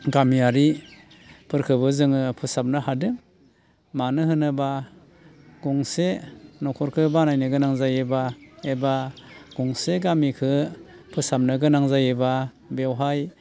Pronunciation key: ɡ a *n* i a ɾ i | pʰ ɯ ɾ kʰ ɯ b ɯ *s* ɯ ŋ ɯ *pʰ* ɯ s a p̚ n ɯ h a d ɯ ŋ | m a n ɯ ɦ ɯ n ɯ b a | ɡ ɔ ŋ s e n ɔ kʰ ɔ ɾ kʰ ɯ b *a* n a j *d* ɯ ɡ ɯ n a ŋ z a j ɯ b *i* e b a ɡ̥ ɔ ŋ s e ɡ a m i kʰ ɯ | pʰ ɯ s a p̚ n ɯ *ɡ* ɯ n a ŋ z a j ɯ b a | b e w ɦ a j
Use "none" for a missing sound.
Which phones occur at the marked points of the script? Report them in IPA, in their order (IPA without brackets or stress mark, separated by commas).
m, z, pʰ, a, n, a, ɡ